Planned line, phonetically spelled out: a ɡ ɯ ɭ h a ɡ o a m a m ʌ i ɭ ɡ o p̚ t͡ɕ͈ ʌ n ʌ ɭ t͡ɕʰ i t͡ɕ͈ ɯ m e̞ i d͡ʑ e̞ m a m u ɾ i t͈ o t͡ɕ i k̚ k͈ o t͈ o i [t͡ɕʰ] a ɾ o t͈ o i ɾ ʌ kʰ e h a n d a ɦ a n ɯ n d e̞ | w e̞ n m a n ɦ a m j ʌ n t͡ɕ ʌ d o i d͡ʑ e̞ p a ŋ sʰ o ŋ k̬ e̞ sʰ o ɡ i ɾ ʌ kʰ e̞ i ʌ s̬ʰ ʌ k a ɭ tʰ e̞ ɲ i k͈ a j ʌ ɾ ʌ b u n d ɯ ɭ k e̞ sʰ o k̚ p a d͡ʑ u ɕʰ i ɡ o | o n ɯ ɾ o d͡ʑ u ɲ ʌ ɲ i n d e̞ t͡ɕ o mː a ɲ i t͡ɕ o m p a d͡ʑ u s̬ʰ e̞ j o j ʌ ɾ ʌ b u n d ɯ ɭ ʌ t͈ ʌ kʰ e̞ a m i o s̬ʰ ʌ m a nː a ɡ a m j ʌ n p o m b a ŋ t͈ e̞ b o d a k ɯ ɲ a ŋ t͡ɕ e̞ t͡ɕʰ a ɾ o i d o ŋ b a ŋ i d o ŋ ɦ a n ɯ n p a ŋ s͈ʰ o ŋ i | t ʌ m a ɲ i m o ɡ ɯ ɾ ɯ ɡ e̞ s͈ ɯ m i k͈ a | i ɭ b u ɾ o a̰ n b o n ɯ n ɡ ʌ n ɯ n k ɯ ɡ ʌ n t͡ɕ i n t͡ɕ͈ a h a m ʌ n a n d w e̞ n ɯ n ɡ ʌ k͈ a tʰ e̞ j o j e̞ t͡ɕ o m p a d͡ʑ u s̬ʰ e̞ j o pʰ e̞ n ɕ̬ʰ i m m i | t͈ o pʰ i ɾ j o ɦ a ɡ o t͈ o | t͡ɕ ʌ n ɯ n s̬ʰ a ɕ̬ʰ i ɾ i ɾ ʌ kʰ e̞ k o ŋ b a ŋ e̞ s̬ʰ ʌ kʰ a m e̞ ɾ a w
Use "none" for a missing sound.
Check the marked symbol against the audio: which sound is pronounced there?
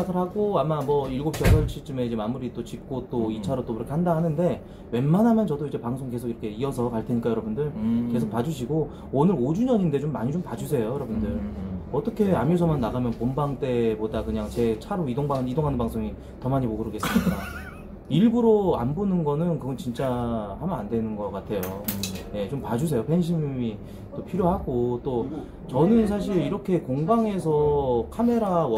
t͡ɕʰ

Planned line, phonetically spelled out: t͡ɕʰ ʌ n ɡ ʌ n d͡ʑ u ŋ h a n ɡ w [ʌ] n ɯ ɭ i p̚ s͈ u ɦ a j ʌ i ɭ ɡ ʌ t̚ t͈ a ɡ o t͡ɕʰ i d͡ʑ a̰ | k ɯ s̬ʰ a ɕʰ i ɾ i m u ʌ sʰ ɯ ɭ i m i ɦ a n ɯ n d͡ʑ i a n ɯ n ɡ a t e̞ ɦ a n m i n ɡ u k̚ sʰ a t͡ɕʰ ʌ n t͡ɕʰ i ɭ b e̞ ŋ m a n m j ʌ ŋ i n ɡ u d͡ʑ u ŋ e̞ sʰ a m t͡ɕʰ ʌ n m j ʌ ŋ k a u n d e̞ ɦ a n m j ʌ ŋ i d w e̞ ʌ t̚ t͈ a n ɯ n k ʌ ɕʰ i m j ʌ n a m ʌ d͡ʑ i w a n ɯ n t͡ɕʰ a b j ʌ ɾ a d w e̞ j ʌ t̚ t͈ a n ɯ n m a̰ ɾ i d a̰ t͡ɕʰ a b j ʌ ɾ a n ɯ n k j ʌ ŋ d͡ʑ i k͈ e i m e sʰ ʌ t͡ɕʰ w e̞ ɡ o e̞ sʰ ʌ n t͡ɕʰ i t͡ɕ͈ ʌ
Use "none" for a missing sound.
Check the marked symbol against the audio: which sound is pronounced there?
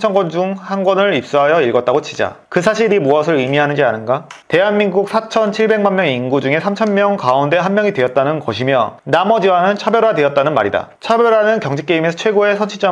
ʌ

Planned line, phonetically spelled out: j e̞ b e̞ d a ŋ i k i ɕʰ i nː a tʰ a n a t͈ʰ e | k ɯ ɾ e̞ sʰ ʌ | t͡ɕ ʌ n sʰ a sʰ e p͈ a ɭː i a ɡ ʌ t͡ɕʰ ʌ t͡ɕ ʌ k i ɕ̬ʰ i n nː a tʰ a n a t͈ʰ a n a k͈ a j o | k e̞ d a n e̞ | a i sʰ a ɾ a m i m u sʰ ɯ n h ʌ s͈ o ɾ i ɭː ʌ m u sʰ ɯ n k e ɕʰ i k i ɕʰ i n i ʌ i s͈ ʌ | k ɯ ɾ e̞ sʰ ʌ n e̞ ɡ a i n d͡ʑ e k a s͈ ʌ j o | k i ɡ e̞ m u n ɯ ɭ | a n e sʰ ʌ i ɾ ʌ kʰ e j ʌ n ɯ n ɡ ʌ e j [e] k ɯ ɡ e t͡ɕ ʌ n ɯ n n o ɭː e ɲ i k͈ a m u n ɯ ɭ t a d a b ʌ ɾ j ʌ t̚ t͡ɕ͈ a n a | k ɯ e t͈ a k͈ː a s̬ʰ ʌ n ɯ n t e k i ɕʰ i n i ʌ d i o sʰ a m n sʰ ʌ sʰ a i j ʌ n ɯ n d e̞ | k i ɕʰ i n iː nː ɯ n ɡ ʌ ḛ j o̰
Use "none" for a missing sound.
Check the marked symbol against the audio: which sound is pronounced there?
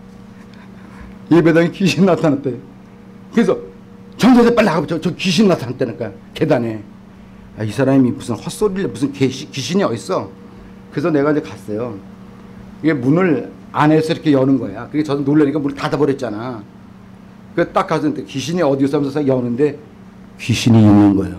a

